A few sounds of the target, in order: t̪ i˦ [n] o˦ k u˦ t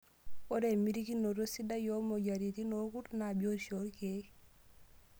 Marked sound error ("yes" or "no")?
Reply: no